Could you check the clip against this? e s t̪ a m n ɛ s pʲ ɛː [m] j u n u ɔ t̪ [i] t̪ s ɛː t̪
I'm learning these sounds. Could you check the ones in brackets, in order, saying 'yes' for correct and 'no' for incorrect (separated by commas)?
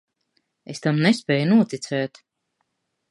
no, yes